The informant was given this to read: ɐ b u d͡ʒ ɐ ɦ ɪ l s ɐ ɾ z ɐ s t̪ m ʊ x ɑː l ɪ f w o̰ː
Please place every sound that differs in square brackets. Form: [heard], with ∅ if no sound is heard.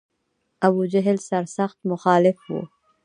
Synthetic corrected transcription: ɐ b u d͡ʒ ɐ ɦ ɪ l s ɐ ɾ [s] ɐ [x] t̪ m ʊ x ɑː l ɪ f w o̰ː